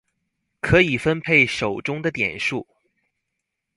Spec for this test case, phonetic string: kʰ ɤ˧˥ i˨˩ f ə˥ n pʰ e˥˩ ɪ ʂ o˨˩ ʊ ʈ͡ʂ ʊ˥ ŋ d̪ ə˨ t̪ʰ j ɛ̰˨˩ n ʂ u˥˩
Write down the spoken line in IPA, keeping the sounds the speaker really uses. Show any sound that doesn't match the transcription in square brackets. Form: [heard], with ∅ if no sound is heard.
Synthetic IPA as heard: kʰ ɤ˧˥ i˨˩ f ə˥ n pʰ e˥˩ ɪ ʂ o˨˩ ʊ ʈ͡ʂ ʊ˥ ŋ d̪ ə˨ [t̪] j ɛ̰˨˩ n ʂ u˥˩